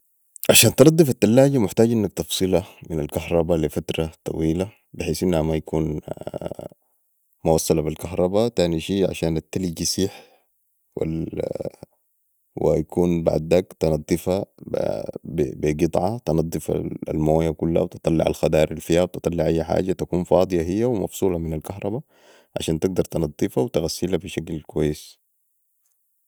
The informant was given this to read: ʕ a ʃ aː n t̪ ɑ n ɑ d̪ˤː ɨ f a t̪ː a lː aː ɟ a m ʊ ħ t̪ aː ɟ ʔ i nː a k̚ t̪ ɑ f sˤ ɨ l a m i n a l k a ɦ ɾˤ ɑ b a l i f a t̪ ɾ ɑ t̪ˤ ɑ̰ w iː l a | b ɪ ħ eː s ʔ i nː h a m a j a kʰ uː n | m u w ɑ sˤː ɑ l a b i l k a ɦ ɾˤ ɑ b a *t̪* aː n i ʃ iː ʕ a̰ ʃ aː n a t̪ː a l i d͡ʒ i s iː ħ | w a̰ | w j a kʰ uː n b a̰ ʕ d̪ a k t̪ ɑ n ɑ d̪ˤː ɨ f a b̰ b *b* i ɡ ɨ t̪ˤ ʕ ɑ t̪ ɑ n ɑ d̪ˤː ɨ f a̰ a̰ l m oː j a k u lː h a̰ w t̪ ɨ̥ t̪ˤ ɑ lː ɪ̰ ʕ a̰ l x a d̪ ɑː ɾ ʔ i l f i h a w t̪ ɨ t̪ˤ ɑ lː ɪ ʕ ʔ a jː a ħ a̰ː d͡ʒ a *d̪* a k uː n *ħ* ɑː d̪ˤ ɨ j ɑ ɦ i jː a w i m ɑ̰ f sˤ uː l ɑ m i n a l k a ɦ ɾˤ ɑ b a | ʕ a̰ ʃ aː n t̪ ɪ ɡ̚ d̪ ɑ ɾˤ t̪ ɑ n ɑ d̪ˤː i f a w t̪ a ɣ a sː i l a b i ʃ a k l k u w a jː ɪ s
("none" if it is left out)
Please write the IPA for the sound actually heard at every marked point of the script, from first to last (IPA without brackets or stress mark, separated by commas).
t̪, b, t̪, f